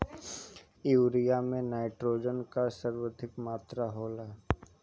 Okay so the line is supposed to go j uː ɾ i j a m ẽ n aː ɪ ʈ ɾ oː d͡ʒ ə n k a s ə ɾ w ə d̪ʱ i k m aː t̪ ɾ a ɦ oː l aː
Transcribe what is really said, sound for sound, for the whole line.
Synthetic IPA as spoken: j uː ɾ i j a m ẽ n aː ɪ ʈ ɾ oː d͡ʒ ə n k a s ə ɾ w ə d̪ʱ ɪ k m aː t̪ ɾ a ɦ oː l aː